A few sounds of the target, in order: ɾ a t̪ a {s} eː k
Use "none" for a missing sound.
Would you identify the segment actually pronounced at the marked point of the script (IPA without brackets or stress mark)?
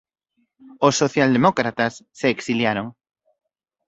sː